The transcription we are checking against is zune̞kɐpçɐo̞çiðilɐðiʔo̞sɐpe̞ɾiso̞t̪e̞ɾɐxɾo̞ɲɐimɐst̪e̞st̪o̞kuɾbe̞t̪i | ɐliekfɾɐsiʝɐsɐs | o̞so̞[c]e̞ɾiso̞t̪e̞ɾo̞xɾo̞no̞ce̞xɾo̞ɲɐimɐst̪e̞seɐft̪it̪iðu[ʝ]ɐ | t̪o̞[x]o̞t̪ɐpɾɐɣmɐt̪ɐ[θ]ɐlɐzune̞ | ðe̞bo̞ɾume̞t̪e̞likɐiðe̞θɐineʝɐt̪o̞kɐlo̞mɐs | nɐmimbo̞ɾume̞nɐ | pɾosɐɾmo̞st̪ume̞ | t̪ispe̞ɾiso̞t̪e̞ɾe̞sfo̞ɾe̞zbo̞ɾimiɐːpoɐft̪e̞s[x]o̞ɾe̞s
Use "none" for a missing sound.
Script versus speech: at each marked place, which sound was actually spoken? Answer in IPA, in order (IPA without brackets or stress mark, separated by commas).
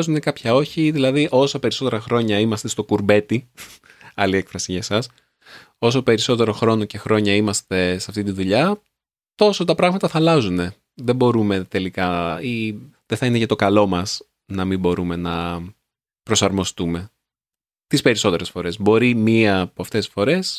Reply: p, ʎ, s, θ, f